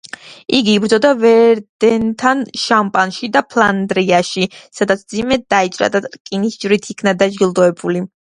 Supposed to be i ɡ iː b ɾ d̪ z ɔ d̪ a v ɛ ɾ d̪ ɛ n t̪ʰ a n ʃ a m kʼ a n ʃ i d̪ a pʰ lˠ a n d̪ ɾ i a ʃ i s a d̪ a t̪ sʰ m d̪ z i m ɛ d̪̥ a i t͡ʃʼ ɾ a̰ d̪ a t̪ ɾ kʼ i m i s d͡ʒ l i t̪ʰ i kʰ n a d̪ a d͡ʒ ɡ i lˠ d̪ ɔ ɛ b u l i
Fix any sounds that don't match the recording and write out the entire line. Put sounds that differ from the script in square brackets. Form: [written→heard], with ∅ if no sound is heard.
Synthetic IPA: i ɡ iː b ɾ d̪ z ɔ d̪ a v ɛ ɾ d̪ ɛ n t̪ʰ a n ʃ a m [kʼ→pʼ] a n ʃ i d̪ a pʰ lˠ a n d̪ ɾ i a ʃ i s a d̪ a t̪ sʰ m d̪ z i m ɛ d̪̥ a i t͡ʃʼ ɾ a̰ d̪ a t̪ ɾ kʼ i [m→n] i s d͡ʒ [l→ɾ] i t̪ʰ i kʰ n a d̪ a d͡ʒ ɡ i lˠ d̪ ɔ ɛ b u l i